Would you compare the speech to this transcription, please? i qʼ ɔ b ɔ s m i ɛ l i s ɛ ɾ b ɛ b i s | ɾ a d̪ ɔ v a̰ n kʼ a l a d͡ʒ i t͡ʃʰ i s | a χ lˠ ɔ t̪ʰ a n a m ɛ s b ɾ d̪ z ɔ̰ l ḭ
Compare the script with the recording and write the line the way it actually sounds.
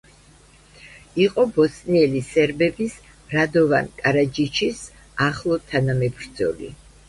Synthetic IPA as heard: i qʼ ɔ b ɔ s n i ɛ l i s ɛ ɾ b ɛ b i s | ɾ a d̪ ɔ v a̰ n kʼ a ɾ a d͡ʒ i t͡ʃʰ i s | a χ lˠ ɔ t̪ʰ a n a m ɛ b ɾ d̪ z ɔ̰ l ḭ

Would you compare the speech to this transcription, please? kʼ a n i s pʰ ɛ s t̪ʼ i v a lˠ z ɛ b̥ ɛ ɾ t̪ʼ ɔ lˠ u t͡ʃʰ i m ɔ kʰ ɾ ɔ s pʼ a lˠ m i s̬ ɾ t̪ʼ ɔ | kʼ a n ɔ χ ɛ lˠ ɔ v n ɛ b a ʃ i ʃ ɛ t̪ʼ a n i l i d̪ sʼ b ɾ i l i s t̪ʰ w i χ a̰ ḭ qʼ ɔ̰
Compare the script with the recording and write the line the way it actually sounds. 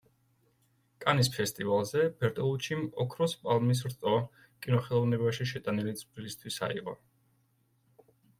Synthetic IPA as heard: kʼ a n i s pʰ ɛ s t̪ʼ i v a lˠ z ɛ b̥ ɛ ɾ t̪ʼ ɔ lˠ u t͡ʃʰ i m ɔ kʰ ɾ ɔ s pʼ a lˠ m i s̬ ɾ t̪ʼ ɔ | kʼ i n ɔ χ ɛ lˠ ɔ v n ɛ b a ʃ i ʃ ɛ t̪ʼ a n i l i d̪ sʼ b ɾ i l i s t̪ʰ w i s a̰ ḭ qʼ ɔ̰

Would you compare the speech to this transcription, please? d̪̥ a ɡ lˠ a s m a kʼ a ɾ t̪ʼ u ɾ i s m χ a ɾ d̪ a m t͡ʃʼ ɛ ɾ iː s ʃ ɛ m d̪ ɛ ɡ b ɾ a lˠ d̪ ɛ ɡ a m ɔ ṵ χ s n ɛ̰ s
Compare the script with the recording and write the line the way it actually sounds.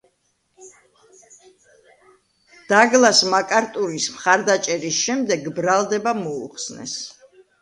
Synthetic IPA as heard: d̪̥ a ɡ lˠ a s m a kʼ a ɾ t̪ʼ u ɾ i s m χ a ɾ d̪ a t͡ʃʼ ɛ ɾ i s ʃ ɛ m d̪ ɛ ɡ b ɾ a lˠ d̪ ɛ b a m ɔ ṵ χ s n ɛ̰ s

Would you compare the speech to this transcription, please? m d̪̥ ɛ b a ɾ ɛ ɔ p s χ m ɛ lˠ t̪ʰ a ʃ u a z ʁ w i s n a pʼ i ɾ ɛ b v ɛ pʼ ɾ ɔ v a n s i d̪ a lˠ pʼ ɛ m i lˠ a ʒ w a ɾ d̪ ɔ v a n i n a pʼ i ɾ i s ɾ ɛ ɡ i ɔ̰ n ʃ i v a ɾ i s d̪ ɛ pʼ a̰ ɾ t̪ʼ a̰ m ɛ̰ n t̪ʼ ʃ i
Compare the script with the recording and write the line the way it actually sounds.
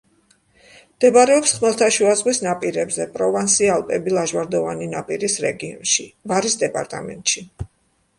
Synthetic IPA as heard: m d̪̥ ɛ b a ɾ ɛ ɔ p s χ m ɛ lˠ t̪ʰ a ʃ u a z ʁ w i s n a pʼ i ɾ ɛ b z ɛ pʼ ɾ ɔ v a n s i a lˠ pʼ ɛ b i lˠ a ʒ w a ɾ d̪ ɔ v a n i n a pʼ i ɾ i s ɾ ɛ ɡ i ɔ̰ n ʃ i v a ɾ i s d̪ ɛ pʼ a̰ ɾ t̪ʼ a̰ m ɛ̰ n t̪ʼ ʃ i

